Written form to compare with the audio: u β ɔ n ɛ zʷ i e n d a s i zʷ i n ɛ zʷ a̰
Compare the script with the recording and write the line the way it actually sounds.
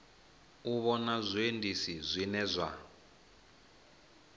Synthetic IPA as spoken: u β ɔ n a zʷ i e n d i s i zʷ i n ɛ zʷ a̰